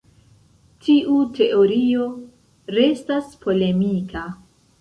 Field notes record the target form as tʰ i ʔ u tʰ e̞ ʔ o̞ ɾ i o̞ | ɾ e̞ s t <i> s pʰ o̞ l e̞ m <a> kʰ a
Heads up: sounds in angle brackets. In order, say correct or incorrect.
incorrect: a, incorrect: i

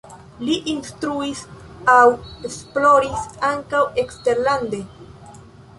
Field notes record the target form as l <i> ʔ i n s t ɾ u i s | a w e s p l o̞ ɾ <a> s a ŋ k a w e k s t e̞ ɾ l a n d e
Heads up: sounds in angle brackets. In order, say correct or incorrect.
correct, incorrect: i

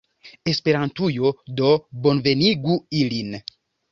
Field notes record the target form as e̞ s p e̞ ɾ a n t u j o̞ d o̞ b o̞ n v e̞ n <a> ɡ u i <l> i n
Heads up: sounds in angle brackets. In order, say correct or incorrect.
incorrect: i, correct

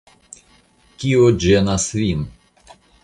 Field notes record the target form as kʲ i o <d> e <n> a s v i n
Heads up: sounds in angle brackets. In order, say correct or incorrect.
incorrect: d͡ʒ, correct

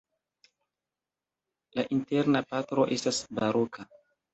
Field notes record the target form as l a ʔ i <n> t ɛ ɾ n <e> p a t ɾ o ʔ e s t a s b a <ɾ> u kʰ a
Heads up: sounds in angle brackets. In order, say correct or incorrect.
correct, incorrect: a, correct

